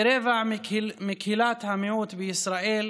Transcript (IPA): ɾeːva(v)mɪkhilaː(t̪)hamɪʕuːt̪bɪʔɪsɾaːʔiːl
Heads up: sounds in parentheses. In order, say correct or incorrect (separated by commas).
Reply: incorrect, correct